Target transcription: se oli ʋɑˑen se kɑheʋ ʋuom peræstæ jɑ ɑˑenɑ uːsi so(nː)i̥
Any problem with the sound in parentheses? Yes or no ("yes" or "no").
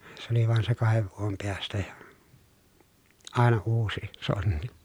no